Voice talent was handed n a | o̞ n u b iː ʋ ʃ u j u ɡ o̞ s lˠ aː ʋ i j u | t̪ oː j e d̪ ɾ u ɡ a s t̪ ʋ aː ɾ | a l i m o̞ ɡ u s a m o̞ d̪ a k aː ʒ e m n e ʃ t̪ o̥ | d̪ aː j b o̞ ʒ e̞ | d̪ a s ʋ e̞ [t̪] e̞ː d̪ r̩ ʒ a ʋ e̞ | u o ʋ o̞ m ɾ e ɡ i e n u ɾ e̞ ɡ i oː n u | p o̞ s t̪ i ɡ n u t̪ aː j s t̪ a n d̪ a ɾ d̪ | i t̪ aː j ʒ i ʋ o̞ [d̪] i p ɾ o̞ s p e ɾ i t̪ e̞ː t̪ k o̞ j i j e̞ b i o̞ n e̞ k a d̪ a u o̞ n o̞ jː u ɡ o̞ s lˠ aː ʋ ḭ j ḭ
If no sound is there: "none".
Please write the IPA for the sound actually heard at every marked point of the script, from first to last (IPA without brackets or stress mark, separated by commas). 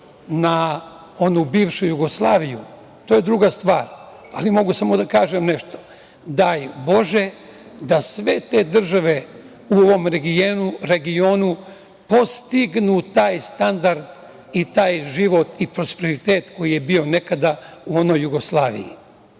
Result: t̪, t̪